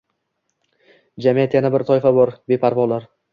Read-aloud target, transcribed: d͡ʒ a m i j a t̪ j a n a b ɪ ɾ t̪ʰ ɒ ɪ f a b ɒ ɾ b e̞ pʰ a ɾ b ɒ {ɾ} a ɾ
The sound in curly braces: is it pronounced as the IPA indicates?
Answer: no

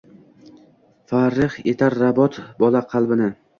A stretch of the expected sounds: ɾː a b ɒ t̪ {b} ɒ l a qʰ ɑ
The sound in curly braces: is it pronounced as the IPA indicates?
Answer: yes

